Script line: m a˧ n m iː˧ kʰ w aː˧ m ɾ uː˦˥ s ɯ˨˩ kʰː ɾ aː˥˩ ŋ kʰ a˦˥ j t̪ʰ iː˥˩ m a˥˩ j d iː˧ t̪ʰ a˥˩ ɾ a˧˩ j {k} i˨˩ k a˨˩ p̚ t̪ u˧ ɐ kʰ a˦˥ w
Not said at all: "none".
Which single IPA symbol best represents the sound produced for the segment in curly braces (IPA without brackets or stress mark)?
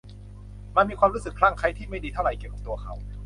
k